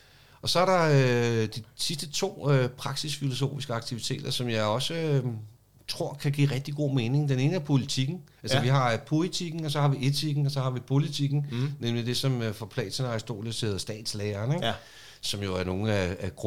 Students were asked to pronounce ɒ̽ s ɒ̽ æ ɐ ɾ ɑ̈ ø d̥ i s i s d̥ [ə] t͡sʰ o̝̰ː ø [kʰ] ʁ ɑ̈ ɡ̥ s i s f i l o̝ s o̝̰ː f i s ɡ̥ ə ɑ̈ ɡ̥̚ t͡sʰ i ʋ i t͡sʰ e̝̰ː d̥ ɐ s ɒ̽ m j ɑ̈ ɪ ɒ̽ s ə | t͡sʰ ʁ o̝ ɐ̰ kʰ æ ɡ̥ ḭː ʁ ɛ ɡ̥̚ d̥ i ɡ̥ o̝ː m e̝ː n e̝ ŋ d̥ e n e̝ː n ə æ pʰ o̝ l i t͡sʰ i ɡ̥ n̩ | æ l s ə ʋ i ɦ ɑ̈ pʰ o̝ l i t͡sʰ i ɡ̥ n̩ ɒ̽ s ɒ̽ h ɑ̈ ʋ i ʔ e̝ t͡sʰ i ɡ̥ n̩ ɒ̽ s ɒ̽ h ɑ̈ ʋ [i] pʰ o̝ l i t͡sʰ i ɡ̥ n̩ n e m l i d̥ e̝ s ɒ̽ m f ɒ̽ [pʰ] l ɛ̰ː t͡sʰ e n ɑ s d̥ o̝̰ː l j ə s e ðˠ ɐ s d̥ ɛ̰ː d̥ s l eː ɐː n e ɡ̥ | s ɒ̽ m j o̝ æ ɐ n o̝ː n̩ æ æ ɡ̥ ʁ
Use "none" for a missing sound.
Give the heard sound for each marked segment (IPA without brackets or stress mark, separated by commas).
ə, pʰ, i, pʰ